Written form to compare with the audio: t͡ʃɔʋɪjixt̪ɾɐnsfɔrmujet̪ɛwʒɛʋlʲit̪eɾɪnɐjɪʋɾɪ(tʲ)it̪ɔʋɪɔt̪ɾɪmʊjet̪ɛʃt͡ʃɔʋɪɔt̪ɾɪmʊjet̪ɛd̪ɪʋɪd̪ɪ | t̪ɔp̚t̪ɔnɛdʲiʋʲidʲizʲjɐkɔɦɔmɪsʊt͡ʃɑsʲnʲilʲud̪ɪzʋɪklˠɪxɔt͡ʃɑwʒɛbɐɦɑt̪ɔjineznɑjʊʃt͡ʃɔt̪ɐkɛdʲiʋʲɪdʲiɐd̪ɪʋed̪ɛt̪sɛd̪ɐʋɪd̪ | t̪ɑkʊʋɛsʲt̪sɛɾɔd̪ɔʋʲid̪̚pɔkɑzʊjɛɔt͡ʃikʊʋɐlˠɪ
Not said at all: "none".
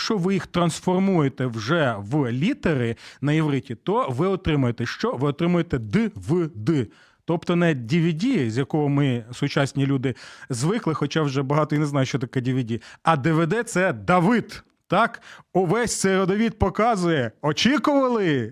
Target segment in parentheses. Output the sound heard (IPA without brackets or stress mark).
tʲ